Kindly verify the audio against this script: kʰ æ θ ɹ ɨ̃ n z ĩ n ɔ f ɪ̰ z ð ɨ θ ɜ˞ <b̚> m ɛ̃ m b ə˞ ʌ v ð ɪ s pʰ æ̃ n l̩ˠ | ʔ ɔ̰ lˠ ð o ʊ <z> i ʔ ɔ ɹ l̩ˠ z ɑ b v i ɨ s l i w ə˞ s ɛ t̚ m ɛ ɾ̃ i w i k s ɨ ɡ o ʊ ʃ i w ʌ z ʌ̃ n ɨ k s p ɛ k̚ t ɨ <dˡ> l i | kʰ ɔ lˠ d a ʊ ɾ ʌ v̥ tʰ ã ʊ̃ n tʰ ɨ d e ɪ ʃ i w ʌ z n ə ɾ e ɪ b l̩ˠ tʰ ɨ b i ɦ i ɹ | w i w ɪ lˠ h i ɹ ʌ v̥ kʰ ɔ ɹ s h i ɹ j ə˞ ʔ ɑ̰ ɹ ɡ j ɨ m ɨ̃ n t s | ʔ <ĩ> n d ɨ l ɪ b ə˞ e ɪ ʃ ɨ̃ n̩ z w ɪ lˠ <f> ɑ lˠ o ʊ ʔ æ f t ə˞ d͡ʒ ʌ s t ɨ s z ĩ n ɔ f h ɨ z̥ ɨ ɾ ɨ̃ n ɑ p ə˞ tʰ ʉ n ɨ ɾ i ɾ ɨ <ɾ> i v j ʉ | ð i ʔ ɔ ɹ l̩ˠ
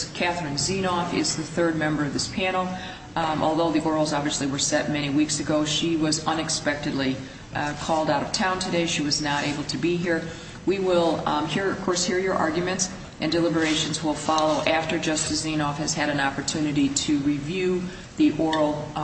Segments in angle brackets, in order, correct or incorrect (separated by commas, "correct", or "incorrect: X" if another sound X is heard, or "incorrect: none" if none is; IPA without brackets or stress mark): incorrect: d̚, incorrect: ð, correct, incorrect: ɨ̃, correct, incorrect: ɹ